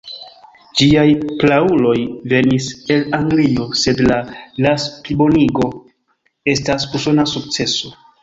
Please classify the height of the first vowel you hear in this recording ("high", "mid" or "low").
high